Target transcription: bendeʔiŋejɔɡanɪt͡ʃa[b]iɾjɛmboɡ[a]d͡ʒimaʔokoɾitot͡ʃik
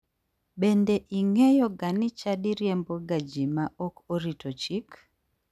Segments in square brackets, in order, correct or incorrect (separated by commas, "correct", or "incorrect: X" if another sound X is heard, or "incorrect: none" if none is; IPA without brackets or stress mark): incorrect: d, correct